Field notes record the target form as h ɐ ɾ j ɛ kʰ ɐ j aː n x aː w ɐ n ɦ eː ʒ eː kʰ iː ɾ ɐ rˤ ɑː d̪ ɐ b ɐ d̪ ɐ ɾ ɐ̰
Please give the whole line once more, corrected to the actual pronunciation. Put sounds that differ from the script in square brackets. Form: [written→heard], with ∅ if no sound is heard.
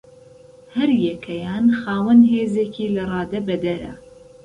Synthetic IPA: h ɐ ɾ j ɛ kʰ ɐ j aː n x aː w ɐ n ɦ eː [ʒ→z] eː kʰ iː [ɾ→l] ɐ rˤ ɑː d̪ ɐ b ɐ d̪ ɐ ɾ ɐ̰